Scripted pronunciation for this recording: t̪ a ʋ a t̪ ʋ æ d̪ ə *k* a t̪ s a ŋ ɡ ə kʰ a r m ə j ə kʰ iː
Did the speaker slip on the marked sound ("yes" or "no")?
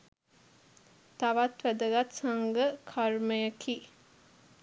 yes